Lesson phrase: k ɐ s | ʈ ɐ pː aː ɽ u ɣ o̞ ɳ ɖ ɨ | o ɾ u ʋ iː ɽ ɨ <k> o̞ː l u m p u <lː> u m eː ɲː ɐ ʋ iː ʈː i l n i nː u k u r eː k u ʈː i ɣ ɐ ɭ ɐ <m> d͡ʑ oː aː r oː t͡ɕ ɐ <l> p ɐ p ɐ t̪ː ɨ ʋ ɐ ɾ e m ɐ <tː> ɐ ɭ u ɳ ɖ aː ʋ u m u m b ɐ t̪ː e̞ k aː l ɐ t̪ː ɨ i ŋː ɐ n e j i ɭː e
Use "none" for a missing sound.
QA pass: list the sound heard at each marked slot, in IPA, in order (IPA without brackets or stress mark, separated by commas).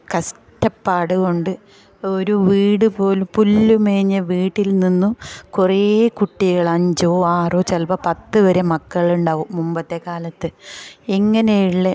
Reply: p, lː, ɲ, l, kː